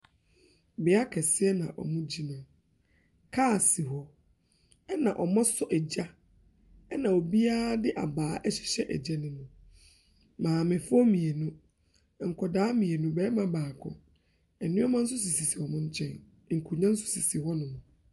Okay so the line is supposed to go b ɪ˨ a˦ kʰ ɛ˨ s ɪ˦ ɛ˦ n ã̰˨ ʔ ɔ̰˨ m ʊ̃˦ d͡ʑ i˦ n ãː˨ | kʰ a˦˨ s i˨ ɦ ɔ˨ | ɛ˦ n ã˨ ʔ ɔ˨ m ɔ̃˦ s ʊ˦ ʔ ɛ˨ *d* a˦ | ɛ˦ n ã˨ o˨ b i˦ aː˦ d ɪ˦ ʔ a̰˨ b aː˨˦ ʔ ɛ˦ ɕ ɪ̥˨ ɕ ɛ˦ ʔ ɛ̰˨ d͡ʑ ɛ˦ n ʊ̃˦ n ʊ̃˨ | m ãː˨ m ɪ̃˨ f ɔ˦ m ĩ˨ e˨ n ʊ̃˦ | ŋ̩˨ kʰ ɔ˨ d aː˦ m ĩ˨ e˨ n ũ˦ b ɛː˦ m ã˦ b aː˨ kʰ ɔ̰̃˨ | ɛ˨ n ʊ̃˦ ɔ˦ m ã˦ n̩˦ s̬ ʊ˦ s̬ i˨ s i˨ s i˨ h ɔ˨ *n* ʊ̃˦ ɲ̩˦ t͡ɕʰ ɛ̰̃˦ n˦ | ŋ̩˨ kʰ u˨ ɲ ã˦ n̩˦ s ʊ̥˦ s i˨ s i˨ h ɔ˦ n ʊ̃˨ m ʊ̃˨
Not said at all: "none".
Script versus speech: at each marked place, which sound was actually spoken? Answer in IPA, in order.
d͡ʑ, m

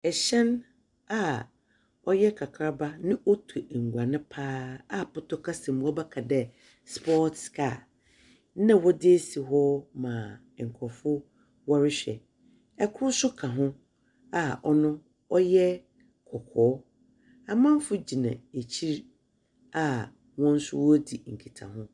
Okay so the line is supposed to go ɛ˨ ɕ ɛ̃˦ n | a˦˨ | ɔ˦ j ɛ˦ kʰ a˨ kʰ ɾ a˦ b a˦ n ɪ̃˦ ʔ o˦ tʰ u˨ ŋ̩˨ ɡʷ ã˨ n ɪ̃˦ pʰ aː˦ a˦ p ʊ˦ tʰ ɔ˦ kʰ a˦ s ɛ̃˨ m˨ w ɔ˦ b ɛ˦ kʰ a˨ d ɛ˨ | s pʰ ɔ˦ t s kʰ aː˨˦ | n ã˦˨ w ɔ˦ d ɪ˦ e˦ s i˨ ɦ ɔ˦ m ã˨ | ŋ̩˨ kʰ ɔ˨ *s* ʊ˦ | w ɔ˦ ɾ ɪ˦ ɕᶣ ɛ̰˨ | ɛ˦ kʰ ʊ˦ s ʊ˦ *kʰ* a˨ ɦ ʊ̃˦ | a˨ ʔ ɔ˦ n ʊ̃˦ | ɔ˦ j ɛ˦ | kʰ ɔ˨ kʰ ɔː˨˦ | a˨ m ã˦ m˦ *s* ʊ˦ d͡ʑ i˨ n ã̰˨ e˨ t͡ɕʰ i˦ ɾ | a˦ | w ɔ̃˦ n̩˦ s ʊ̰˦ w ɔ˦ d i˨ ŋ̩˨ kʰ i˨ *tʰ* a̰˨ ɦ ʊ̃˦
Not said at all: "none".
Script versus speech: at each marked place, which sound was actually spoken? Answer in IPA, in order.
f, kʰ, f, tʰ

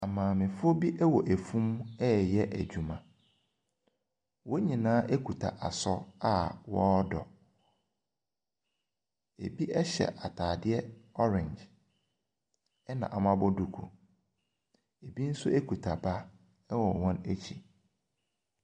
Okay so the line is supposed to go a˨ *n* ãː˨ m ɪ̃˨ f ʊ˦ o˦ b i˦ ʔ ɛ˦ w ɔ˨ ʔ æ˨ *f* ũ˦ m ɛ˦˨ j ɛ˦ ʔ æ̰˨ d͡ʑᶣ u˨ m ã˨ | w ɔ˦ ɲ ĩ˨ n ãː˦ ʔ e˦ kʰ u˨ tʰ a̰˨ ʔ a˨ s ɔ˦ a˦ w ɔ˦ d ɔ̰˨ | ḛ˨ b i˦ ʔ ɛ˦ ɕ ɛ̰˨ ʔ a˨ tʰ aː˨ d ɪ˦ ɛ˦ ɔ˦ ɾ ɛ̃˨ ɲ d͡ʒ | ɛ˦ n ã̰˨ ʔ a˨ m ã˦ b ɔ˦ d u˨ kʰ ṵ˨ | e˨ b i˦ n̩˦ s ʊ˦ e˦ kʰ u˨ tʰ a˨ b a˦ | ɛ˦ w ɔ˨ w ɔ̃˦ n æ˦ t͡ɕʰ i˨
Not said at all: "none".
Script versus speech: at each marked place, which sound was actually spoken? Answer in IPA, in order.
m, f

